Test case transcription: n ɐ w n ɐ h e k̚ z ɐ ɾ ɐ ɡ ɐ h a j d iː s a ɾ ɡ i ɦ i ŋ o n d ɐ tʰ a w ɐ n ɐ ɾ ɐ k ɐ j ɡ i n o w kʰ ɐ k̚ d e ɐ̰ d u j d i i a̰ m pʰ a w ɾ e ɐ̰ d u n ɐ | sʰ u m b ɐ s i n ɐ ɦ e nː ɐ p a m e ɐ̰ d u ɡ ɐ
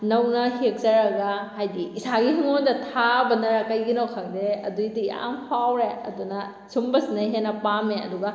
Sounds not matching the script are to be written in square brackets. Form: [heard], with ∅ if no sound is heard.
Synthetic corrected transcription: n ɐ w n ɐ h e k̚ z ɐ ɾ ɐ ɡ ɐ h a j d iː s a [∅] ɡ i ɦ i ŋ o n d ɐ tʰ a [b] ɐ n ɐ ɾ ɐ k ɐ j ɡ i n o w kʰ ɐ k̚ d e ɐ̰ d u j d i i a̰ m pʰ a w ɾ e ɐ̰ d u n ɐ | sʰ u m b ɐ s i n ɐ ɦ e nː ɐ p a m e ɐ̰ d u ɡ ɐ